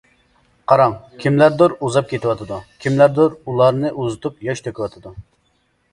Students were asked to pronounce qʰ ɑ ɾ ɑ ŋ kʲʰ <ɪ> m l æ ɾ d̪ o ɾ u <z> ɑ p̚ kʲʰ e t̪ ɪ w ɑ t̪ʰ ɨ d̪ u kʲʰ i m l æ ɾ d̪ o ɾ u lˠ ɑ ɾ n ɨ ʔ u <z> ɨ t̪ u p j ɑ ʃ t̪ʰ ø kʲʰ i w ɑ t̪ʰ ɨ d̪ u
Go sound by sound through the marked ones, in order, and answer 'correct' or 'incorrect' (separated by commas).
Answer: incorrect, correct, correct